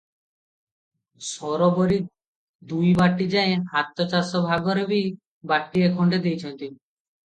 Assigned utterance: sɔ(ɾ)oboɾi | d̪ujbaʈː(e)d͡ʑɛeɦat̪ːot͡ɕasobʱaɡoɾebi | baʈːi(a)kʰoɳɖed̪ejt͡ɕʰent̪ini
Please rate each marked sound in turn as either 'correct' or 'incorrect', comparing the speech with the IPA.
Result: correct, incorrect: i, incorrect: e

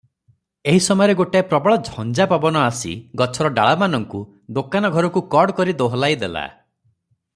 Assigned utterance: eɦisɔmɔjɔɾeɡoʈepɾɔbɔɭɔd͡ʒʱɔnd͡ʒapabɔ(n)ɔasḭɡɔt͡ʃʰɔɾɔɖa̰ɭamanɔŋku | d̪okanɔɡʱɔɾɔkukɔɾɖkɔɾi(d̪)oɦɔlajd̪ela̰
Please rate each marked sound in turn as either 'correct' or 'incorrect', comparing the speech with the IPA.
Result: correct, correct

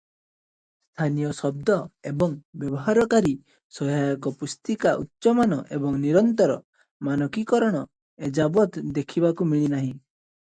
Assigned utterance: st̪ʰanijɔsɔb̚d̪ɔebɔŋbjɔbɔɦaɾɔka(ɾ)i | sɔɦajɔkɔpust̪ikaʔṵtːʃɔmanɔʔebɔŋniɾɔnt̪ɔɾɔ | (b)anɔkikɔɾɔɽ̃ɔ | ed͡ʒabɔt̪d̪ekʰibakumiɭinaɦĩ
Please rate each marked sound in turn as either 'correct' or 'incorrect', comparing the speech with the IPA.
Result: correct, incorrect: m

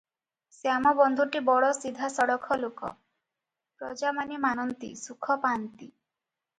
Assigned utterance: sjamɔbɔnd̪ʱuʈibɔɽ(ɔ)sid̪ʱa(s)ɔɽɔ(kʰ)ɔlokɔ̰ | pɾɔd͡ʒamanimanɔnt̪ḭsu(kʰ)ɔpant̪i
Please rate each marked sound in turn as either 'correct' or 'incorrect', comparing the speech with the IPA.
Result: correct, correct, correct, correct

